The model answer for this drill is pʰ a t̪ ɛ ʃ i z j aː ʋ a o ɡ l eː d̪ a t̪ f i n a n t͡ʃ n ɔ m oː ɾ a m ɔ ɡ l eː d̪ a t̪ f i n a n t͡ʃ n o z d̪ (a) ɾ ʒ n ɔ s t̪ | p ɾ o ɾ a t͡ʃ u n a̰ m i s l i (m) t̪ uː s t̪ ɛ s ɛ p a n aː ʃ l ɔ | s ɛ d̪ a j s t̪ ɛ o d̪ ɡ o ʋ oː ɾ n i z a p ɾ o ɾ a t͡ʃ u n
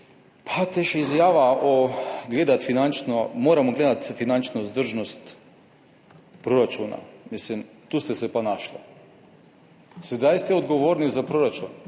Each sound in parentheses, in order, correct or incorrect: incorrect: ə, correct

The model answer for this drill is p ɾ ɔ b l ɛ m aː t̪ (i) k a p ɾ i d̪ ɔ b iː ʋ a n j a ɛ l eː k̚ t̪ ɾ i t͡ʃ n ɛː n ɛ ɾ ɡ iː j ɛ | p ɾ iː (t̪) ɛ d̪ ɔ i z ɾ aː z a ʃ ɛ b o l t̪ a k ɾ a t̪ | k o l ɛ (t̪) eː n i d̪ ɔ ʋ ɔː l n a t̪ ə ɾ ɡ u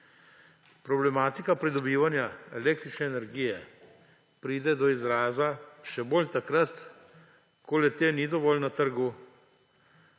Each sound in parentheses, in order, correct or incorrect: correct, incorrect: d̪, correct

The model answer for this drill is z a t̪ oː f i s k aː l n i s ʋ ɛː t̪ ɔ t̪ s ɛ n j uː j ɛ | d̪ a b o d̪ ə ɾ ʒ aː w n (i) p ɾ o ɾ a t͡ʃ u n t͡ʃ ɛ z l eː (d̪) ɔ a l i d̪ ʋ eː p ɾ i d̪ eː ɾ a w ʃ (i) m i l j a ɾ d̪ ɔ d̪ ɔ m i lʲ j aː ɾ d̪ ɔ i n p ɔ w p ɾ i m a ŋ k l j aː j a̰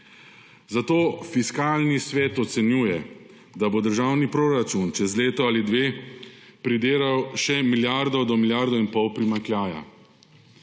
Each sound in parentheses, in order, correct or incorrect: correct, incorrect: t̪, incorrect: ɛ

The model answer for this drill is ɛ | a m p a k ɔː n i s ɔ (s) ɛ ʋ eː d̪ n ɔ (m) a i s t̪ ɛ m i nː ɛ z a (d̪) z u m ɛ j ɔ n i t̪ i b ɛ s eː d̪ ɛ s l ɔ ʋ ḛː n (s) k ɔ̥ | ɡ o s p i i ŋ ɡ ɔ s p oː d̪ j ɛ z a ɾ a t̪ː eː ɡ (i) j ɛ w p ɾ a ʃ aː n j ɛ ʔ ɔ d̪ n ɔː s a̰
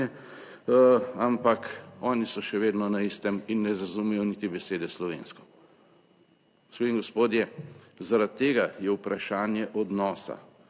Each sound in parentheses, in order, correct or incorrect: incorrect: ʃ, incorrect: n, incorrect: none, correct, incorrect: a

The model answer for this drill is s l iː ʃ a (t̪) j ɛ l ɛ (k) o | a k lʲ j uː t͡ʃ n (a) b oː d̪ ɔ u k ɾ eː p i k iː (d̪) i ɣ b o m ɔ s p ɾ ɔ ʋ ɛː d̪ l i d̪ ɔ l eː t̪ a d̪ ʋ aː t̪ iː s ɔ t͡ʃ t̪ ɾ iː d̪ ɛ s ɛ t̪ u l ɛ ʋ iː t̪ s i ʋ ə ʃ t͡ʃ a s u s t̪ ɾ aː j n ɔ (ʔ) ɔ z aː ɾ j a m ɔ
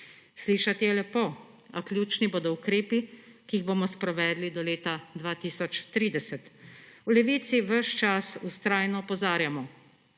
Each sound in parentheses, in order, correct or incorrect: correct, incorrect: p, incorrect: i, incorrect: none, incorrect: p

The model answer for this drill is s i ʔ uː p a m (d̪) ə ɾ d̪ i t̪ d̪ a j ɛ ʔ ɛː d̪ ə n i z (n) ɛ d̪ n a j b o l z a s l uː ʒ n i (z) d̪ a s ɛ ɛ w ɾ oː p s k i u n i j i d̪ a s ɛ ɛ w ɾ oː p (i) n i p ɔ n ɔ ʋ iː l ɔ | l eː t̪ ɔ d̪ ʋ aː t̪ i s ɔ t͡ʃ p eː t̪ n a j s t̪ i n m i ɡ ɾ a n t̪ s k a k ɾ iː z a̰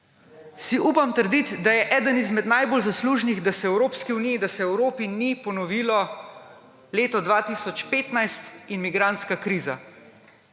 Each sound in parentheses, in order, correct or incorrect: incorrect: t̪, incorrect: m, incorrect: ɣ, correct

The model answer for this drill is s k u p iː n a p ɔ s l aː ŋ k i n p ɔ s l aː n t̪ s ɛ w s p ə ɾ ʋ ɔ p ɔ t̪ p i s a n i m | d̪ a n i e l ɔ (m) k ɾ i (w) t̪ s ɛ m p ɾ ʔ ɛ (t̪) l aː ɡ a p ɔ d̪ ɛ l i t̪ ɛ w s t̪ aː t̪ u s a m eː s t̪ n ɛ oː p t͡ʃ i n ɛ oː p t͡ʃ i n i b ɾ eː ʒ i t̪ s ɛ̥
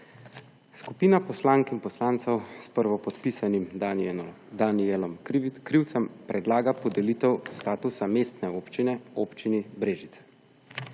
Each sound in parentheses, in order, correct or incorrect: correct, correct, incorrect: d̪

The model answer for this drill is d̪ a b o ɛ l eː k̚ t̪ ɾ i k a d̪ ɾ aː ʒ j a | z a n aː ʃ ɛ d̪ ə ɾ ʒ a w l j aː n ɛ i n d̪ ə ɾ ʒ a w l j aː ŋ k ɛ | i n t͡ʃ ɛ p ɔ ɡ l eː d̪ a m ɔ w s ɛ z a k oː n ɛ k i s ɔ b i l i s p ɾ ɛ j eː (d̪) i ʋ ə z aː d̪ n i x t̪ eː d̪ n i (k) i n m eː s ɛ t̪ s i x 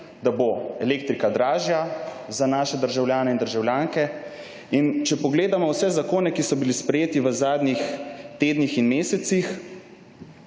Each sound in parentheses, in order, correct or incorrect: incorrect: t̪, incorrect: x

